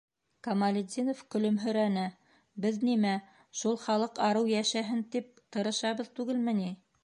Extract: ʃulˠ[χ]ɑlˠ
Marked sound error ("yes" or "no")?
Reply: no